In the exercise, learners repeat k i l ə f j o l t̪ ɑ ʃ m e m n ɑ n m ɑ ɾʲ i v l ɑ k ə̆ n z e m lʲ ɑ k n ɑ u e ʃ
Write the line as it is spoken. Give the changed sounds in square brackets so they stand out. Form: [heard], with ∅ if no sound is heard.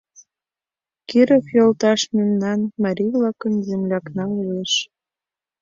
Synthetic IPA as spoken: k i [ɾ] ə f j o l t̪ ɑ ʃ m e m n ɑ n m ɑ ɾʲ i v l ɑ k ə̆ n z e m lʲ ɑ k n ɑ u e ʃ